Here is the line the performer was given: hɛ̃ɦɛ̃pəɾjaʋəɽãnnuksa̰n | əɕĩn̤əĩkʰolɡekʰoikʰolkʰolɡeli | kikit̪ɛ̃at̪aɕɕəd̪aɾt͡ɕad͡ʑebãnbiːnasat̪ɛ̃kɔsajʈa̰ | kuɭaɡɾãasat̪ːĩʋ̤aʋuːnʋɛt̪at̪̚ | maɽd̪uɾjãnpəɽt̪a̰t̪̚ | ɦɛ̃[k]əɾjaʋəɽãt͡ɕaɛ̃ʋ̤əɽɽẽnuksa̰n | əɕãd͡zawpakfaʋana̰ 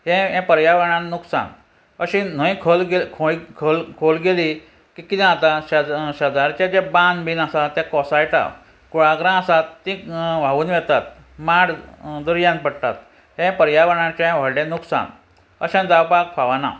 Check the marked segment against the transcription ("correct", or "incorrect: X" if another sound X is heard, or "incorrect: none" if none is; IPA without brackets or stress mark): incorrect: p